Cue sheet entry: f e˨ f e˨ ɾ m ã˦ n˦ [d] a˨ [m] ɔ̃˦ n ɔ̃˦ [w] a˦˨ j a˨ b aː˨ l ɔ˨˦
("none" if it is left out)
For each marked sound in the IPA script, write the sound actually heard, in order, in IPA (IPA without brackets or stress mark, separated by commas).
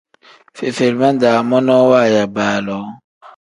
d, m, w